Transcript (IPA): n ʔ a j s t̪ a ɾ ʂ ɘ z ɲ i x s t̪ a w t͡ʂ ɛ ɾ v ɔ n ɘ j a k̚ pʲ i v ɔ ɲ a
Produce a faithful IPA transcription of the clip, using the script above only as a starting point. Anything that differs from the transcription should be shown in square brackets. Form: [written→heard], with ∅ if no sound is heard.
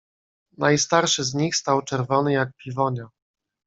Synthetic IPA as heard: n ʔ a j s t̪ a ɾ ʂ ɘ z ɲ i x s t̪ a w t͡ʂ ɛ ɾ v ɔ n ɘ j a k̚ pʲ i v ɔ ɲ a